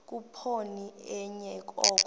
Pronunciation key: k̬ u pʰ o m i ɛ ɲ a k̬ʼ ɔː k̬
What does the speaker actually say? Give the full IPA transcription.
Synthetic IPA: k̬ u pʰ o n i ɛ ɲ ɛ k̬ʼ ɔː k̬

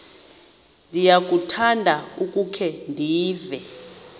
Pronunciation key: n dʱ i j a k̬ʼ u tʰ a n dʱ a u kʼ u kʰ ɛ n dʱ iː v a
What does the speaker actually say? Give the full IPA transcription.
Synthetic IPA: n dʱ i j a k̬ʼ u tʰ a n dʱ a u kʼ u kʰ ɛ n dʱ iː v ɛ

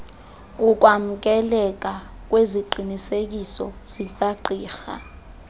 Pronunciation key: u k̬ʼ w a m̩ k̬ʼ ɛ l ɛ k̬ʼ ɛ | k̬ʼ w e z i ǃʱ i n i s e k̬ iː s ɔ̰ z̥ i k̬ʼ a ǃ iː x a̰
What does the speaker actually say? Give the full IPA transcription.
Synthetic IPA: u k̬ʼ w a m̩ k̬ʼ ɛ l ɛ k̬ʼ a | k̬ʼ w e z i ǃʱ i n i s e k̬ i s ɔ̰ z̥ i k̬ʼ a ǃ iː x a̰

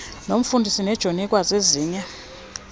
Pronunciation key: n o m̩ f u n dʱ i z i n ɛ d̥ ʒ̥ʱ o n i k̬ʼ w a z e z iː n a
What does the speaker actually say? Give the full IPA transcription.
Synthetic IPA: n o m̩ f u n dʱ i s i n ɛ d̥ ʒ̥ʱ o n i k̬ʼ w a z e z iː ɲ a

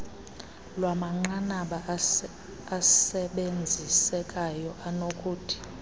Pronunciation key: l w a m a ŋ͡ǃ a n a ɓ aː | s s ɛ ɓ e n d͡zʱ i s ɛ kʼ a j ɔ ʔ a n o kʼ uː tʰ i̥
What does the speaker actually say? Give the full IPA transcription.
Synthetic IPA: l w a m a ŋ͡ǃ a n a ɓ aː | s s ɛ ɓ e n d͡zʱ i s ɛ kʼ a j ɔ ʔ a n o kʼ uː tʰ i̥

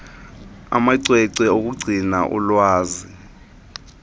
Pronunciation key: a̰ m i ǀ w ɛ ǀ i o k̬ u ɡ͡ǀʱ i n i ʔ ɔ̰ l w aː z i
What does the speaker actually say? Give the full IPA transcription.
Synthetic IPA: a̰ m a ǀ w ɛ ǀ ɛ o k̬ u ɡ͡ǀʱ i n a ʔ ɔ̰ l w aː z i

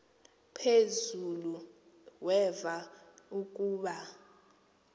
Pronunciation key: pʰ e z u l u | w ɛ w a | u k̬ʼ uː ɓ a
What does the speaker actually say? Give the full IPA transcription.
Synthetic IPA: pʰ e z u l u | w ɛ v a | u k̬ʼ uː ɓ a

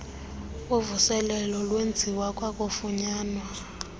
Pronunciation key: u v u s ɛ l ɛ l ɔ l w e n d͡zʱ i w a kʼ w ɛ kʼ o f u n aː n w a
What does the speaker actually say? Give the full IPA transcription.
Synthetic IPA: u v u s ɛ l ɛ l ɔ l w e n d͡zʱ i w a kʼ w a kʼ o f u ɲ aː n w a

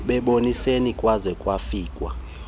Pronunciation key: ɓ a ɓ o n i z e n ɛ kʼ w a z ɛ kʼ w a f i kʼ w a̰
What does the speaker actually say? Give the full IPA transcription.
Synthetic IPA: ɓ ɛ ɓ o n i s e n i kʼ w a z ɛ kʼ w a f iː kʼ w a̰

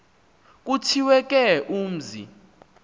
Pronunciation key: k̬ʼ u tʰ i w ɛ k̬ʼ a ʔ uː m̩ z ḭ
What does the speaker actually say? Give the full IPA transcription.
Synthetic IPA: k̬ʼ u tʰ i w ɛ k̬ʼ ɛ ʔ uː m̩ z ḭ

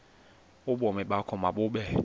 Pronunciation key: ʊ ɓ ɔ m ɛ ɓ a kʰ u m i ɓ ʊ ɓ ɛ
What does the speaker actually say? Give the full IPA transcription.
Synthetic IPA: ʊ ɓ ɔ m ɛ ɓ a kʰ ɔ m a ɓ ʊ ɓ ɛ

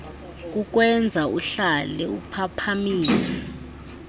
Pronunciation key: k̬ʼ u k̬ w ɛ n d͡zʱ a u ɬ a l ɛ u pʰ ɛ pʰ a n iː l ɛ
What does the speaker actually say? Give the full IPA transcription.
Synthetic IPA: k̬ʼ u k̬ w ɛ n d͡zʱ a u ɬ a l ɛ u pʰ a pʰ a m iː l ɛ

